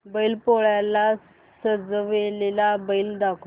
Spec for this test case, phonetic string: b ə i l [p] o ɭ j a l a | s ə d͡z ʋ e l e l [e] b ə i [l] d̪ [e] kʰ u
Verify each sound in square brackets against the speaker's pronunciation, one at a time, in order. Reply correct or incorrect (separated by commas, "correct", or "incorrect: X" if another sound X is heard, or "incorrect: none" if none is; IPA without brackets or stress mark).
correct, incorrect: a, correct, incorrect: a